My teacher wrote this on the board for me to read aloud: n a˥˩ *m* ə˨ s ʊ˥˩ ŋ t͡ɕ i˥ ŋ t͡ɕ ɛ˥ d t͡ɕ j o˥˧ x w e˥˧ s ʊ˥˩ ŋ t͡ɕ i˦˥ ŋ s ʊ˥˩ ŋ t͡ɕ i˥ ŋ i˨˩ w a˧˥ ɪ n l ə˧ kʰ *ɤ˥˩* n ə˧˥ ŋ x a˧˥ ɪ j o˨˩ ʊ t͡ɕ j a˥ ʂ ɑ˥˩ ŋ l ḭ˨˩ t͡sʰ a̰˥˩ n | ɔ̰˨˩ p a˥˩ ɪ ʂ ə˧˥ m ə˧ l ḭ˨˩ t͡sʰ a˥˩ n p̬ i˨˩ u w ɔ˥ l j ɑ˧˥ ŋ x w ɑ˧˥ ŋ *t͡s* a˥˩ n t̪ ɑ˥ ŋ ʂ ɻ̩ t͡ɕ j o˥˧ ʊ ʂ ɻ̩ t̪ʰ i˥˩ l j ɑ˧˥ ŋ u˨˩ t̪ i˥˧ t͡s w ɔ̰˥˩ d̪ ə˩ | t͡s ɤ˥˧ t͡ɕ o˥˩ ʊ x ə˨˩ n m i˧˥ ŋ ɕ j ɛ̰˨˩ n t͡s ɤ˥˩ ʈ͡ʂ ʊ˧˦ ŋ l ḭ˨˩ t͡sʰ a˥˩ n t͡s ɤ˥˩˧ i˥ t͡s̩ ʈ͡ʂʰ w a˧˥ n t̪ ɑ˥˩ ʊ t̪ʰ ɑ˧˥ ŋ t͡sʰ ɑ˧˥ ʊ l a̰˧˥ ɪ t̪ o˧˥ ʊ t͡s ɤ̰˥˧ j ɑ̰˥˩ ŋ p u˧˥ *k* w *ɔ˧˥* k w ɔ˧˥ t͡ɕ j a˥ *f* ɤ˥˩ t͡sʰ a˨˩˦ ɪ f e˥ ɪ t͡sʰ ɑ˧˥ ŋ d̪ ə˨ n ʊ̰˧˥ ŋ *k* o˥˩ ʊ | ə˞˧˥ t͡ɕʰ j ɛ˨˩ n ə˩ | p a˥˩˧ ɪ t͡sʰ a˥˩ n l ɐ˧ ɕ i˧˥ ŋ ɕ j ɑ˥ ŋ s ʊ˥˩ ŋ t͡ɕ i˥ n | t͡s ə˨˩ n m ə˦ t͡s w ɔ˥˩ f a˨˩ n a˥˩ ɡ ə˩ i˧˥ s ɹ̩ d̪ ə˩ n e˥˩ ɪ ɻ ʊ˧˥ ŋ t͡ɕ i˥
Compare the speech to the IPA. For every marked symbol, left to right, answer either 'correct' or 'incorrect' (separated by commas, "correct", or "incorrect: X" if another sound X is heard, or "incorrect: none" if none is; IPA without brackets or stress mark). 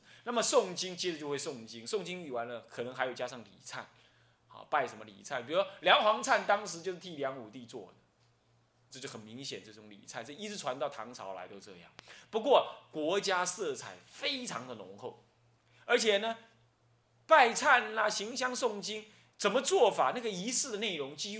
correct, incorrect: ɤ˨˩, incorrect: t͡sʰ, correct, incorrect: ɔ˥˩, incorrect: s, incorrect: x